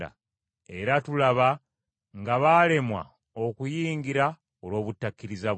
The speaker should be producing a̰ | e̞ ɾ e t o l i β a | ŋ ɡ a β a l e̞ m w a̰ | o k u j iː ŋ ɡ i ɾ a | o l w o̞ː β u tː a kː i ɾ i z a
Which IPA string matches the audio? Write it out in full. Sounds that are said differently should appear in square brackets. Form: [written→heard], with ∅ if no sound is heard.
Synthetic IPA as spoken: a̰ | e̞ ɾ [e→a] t [o→u] l [i→a] β a | ŋ ɡ a β a l e̞ m w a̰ | o k u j iː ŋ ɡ i ɾ a | o l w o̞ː β u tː a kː i ɾ i z a